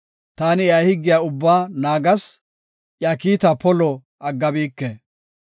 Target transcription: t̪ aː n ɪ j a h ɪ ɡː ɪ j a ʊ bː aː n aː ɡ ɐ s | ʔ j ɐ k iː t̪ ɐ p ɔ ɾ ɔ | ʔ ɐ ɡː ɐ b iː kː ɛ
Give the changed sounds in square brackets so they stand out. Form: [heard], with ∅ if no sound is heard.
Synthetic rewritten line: t̪ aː n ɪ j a h ɪ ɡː ɪ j a ʊ bː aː n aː ɡ ɐ s | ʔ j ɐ k iː t̪ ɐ p ɔ [l] ɔ | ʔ ɐ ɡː ɐ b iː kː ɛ